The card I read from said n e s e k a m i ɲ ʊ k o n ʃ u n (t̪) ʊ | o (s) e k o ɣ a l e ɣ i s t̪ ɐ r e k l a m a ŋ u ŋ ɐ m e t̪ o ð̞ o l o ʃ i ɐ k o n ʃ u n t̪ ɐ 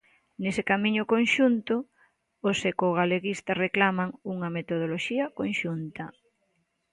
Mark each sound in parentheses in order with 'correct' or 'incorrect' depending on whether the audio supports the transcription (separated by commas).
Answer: correct, correct